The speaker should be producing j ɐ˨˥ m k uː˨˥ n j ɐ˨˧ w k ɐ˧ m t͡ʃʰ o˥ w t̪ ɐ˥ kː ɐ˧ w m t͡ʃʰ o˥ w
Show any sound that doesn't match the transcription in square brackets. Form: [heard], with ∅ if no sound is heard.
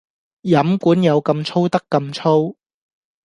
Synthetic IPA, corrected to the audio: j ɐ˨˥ m k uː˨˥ n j ɐ˨˧ w k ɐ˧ m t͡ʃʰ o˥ w t̪ ɐ˥ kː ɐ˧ [∅] m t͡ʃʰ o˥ w

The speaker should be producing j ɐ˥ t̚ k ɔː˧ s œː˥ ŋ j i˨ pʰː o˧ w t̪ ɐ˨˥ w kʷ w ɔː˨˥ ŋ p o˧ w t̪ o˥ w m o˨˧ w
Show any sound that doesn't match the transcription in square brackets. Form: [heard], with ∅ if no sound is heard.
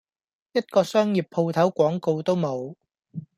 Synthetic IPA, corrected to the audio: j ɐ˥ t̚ k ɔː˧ s œː˥ ŋ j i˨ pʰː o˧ w [t̪ʰ] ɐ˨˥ w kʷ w ɔː˨˥ ŋ [k] o˧ w t̪ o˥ w m o˨˧ w

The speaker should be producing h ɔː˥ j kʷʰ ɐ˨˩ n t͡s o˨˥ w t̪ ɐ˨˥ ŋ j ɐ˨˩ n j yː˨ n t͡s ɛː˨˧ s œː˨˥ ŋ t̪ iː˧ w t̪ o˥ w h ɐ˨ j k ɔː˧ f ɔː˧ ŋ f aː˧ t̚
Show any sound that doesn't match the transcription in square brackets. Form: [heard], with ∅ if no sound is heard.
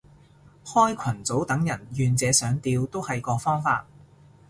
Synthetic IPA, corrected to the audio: h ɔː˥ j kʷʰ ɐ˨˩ n t͡s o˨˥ w t̪ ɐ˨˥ ŋ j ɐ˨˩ n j yː˨ n t͡s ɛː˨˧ s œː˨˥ ŋ t̪ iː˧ w t̪ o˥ w h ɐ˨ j k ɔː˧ f [ɔː˥] ŋ f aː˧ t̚

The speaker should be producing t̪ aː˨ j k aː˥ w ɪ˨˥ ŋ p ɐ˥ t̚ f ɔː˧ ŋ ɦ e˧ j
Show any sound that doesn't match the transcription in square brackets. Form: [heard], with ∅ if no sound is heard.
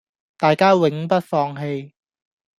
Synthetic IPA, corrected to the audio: t̪ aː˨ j k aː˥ w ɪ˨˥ ŋ p ɐ˥ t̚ f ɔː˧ ŋ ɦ e˧ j

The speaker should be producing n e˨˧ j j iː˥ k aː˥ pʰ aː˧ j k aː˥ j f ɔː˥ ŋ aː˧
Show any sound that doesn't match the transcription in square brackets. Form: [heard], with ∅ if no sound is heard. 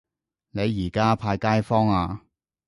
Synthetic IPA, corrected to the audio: n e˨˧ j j [iː˨˩] k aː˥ pʰ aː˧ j k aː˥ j f ɔː˥ ŋ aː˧

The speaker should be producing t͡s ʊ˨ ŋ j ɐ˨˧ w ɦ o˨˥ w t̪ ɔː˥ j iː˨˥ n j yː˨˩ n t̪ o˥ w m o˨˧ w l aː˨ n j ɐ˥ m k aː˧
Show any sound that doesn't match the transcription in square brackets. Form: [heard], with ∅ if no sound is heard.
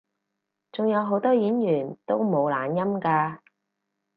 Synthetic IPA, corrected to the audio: t͡s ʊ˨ ŋ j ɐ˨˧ w ɦ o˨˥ w t̪ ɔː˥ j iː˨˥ n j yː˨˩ n t̪ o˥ w m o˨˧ w l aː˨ n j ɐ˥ m k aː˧

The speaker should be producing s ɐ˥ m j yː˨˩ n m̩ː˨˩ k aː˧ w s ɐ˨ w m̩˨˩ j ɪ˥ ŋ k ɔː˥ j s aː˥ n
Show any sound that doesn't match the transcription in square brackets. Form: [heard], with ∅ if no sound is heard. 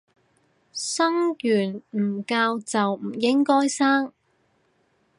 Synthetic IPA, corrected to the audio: s ɐ˥ [ŋ] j yː˨˩ n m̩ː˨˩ k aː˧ w [t͡s] ɐ˨ w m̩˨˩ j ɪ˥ ŋ k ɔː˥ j s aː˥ [ŋ]

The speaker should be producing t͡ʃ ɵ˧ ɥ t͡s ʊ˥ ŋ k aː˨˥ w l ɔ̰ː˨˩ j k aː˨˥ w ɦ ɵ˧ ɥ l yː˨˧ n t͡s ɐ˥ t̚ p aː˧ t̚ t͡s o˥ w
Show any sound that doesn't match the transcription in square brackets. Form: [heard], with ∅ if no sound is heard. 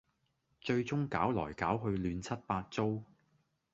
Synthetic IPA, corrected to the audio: t͡ʃ ɵ˧ ɥ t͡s ʊ˥ ŋ k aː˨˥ w l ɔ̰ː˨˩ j k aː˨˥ w ɦ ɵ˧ ɥ l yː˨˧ n [t͡sʰ] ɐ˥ t̚ p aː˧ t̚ t͡s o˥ w

